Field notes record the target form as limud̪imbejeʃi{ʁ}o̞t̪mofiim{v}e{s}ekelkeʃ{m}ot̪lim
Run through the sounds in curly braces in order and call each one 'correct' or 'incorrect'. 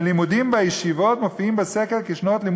incorrect: v, incorrect: b, correct, incorrect: n

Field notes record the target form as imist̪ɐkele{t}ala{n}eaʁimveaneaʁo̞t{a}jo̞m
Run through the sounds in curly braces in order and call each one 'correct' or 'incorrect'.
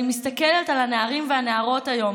correct, correct, correct

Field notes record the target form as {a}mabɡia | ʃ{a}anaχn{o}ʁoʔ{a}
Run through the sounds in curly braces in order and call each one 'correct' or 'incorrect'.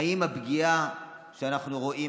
incorrect: i, incorrect: e, incorrect: u, incorrect: i

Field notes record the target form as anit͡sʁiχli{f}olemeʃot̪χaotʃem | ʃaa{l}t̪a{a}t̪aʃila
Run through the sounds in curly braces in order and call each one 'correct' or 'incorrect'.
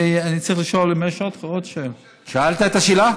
incorrect: ʃ, correct, incorrect: e

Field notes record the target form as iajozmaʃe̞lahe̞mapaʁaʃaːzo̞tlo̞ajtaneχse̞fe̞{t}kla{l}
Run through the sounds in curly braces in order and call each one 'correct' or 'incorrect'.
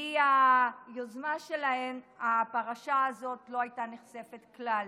correct, correct

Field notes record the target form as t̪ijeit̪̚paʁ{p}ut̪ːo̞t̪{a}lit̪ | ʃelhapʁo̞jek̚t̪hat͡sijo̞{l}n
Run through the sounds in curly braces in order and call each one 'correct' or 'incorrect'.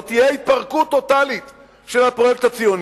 incorrect: k, correct, incorrect: none

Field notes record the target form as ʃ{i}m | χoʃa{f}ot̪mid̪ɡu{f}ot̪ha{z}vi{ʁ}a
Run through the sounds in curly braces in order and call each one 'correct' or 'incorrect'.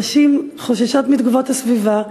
correct, incorrect: ʃ, incorrect: v, incorrect: s, incorrect: v

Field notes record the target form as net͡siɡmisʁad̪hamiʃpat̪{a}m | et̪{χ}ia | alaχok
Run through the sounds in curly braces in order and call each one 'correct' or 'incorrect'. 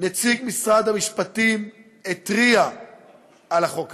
incorrect: i, incorrect: ʁ

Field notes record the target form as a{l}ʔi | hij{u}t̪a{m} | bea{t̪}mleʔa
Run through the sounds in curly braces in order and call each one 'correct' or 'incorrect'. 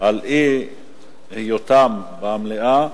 correct, incorrect: o, correct, incorrect: none

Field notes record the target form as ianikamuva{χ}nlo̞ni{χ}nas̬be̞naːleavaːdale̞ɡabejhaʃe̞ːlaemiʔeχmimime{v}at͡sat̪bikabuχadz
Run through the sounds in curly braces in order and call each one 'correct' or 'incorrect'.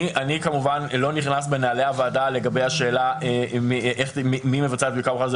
incorrect: none, correct, correct

